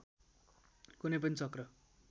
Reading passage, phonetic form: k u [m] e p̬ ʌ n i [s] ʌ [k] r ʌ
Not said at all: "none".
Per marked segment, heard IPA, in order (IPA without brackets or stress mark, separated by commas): n, t͡s, k